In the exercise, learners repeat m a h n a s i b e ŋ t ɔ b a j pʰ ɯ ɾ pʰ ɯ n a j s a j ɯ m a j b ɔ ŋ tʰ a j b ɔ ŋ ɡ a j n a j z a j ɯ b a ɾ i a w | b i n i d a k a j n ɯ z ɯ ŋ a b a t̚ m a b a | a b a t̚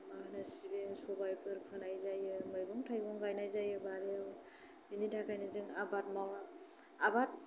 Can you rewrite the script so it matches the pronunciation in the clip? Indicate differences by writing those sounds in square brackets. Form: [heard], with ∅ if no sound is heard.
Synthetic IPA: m a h n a s i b e ŋ [s] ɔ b a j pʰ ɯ ɾ pʰ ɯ n a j [z] a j ɯ m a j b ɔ ŋ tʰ a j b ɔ ŋ ɡ a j n a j z a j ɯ b a ɾ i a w | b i n i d a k a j n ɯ z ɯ ŋ a b a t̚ m a [w] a | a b a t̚